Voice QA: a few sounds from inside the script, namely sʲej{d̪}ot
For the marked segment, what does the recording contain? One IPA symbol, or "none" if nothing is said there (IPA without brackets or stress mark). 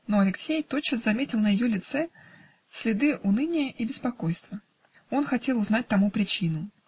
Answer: t̪